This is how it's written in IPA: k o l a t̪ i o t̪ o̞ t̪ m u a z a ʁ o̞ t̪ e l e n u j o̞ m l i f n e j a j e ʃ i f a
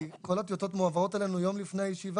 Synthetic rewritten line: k o l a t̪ j o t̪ o̞ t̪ m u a v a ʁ o̞ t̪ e l e n u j o̞ m l i f n e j a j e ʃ i v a